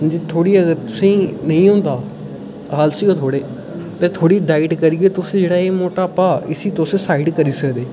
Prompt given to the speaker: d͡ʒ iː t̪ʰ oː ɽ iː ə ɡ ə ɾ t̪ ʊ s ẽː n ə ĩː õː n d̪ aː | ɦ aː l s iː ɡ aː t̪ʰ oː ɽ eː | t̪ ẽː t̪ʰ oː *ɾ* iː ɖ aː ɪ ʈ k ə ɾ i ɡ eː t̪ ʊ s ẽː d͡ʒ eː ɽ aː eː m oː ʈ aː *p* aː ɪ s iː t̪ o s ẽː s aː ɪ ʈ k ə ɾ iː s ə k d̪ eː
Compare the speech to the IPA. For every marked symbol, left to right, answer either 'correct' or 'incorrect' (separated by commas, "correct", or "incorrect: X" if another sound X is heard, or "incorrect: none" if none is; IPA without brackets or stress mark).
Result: incorrect: ɽ, correct